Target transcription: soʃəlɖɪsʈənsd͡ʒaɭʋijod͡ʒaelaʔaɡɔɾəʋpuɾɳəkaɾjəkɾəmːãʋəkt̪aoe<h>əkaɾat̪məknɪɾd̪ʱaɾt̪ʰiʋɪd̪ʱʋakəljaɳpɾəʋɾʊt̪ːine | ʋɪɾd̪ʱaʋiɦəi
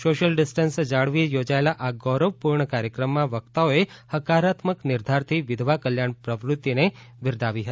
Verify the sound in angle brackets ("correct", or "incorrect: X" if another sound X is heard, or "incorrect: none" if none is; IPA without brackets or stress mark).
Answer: correct